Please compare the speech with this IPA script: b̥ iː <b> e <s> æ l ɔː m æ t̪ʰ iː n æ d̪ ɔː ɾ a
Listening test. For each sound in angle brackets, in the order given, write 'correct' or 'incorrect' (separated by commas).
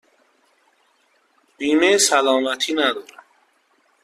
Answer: incorrect, correct